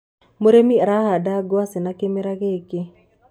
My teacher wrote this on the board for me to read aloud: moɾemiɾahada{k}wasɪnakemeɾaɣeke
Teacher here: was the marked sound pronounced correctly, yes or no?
no